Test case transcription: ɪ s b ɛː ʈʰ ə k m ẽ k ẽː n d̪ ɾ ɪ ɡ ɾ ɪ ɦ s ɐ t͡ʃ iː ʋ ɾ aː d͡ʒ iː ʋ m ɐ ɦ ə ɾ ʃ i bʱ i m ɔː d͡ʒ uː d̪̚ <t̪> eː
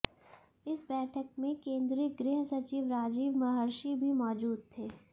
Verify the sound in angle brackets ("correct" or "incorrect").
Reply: incorrect